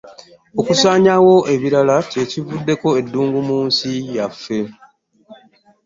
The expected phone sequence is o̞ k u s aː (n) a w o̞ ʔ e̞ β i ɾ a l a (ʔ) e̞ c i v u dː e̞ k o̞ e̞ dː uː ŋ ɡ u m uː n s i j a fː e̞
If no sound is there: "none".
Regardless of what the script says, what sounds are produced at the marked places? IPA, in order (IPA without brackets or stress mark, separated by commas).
ɲ, c